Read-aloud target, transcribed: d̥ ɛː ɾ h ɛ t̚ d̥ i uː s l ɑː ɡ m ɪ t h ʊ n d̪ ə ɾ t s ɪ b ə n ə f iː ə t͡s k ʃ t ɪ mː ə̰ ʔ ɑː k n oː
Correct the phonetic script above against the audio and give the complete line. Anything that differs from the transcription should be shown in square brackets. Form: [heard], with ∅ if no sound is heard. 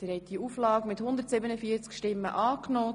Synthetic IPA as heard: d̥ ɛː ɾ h ɛ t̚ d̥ i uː [f] l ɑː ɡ m ɪ t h ʊ n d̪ ə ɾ t s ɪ b ə n ə f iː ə t͡s k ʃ t ɪ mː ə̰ ʔ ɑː k n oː